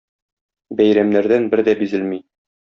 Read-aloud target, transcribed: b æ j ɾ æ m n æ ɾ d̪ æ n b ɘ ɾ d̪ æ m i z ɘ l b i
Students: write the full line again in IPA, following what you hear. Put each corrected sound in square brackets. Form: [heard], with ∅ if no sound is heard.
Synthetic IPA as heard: b æ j ɾ æ m n æ ɾ d̪ æ n b ɘ ɾ d̪ æ [b] i z ɘ l [m] i